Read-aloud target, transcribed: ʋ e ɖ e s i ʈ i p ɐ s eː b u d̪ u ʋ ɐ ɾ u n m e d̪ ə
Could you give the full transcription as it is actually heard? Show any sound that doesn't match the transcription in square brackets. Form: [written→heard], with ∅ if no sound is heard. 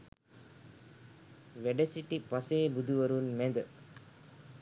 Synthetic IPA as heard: ʋ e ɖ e s i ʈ i p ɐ s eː b u d̪ u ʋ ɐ ɾ u n m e d̪ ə